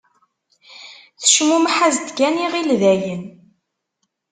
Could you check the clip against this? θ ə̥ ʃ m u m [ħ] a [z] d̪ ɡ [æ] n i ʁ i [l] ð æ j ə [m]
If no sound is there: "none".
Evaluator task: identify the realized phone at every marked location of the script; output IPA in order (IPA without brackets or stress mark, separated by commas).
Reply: ħ, z, æ, l, n